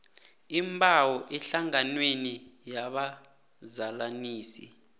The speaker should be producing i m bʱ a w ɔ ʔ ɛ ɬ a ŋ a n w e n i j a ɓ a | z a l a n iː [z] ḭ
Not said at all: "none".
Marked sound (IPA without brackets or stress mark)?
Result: s